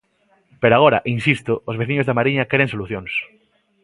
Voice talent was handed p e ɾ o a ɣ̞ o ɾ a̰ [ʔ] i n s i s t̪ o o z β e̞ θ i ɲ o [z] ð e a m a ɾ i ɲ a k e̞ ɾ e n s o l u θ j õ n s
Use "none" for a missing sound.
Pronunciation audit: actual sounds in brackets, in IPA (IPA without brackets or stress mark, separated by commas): ʔ, z